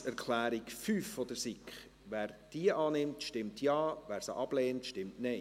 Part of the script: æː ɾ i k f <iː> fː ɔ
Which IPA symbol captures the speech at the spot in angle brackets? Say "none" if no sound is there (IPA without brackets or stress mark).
yː